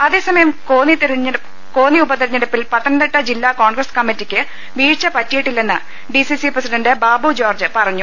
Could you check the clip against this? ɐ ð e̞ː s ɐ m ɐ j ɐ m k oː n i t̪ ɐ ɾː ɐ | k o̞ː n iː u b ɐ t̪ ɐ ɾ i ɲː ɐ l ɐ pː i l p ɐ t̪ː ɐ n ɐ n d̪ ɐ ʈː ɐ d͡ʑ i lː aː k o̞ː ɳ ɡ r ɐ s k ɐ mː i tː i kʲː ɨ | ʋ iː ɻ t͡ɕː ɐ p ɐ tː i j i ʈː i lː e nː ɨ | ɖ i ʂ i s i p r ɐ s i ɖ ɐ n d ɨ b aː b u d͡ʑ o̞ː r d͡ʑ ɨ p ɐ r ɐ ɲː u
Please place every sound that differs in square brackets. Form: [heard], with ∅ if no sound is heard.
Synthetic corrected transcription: ɐ ð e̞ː s ɐ m ɐ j ɐ m k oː n i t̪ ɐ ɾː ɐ | k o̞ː n [i] u b ɐ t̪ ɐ ɾ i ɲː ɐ [ɽ] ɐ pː i l p ɐ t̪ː ɐ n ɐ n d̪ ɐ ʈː ɐ d͡ʑ i lː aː k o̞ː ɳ ɡ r ɐ s k ɐ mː i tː i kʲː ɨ | ʋ iː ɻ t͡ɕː ɐ p ɐ tː i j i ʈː i lː e nː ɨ | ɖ i [s] i s i p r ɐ s i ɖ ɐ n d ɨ b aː b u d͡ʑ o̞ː r d͡ʑ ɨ p ɐ r ɐ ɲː u

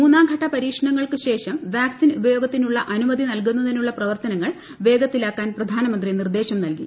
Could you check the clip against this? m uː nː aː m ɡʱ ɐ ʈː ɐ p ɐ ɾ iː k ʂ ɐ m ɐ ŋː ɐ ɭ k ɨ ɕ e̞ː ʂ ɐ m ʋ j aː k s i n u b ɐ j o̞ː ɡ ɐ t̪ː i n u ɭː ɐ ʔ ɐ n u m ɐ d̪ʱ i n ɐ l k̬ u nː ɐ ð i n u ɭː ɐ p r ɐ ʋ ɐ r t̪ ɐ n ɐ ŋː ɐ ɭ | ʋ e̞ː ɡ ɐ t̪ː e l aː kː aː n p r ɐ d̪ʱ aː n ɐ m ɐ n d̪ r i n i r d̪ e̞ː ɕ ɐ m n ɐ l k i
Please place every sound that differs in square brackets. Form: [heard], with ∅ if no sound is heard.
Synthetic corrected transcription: m uː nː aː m ɡʱ ɐ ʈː ɐ p ɐ ɾ iː k ʂ ɐ [ɳ] ɐ ŋː ɐ ɭ k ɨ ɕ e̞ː ʂ ɐ m ʋ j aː k s i n u b ɐ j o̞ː ɡ ɐ t̪ː i n u ɭː ɐ ʔ ɐ n u m ɐ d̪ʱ i n ɐ l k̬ u nː ɐ ð i n u ɭː ɐ p r ɐ ʋ ɐ r t̪ ɐ n ɐ ŋː ɐ ɭ | ʋ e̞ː ɡ ɐ t̪ː [i] l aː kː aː n p r ɐ d̪ʱ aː n ɐ m ɐ n d̪ r i n i r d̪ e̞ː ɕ ɐ m n ɐ l k i

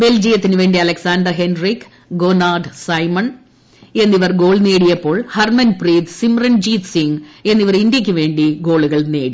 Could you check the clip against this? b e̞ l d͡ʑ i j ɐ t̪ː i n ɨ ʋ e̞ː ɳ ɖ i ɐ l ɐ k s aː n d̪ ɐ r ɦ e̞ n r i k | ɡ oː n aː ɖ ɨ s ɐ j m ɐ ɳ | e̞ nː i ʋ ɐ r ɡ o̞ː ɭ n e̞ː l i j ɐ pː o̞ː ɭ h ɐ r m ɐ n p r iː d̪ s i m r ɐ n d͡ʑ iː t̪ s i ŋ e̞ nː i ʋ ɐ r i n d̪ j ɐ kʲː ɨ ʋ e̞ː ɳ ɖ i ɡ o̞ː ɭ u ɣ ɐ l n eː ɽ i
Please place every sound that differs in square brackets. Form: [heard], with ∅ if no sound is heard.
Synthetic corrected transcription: b e̞ l d͡ʑ i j ɐ t̪ː i n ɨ ʋ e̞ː ɳ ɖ i ɐ l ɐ k s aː n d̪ ɐ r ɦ e̞ n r i k | ɡ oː n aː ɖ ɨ s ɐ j m ɐ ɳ | e̞ nː i ʋ ɐ r ɡ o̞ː ɭ n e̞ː [ɽ] i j ɐ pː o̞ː ɭ h ɐ r m ɐ n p r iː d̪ s i m r ɐ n d͡ʑ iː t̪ s i ŋ e̞ nː i ʋ ɐ r i n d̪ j ɐ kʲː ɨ ʋ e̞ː ɳ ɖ i ɡ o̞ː ɭ u ɣ ɐ [ɭ] n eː ɽ i

